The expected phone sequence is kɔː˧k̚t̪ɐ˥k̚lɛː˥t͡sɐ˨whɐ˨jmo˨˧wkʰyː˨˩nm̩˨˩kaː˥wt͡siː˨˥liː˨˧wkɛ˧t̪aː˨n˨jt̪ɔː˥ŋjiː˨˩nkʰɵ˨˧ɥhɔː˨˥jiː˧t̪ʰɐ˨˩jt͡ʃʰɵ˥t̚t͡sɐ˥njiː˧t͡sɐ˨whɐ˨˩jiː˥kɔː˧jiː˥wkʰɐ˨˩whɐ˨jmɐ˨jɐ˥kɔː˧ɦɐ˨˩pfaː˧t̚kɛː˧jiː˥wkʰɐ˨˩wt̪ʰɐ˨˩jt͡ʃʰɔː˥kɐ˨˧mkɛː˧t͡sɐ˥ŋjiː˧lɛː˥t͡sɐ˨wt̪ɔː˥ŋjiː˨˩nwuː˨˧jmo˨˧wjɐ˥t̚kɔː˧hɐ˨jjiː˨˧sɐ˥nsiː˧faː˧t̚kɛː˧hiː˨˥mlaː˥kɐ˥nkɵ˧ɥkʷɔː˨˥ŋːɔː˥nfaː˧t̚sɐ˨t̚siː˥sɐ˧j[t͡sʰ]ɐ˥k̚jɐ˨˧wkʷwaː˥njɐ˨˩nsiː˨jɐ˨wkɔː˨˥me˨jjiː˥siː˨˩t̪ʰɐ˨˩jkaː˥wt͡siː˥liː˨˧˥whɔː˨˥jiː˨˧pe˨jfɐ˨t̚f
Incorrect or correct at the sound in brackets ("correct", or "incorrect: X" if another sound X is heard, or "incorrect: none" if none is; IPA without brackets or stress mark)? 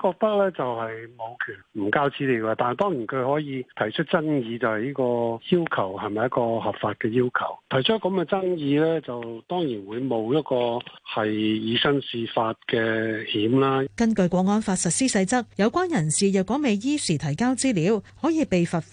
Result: incorrect: t͡s